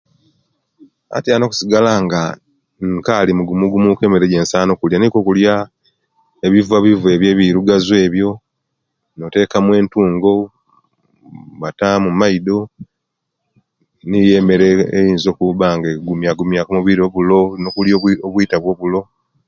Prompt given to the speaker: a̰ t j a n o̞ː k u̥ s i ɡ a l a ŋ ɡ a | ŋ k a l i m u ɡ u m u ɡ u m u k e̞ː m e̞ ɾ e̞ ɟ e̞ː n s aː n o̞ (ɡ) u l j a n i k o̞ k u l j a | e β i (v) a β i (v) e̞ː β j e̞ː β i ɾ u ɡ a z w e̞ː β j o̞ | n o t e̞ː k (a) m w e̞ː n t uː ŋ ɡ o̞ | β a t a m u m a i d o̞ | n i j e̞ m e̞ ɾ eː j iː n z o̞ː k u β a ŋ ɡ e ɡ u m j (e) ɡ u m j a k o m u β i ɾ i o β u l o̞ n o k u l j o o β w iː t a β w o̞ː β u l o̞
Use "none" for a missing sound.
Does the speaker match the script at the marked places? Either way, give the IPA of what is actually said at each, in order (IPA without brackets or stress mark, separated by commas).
k, v, v, a, a